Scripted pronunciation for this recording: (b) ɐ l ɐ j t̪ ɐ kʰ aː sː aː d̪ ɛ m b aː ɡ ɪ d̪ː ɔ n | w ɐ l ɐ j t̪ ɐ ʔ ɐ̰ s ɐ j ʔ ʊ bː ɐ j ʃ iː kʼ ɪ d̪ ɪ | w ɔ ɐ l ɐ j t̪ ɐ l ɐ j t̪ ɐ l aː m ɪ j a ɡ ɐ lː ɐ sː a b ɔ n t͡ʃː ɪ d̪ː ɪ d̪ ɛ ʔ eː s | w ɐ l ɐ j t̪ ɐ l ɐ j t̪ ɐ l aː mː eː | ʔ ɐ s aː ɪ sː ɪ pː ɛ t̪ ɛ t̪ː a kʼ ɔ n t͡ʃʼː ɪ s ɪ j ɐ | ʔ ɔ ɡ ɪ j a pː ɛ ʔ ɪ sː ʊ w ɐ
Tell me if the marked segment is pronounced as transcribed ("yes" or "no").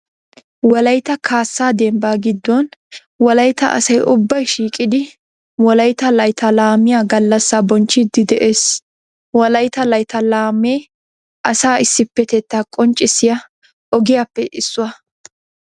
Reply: no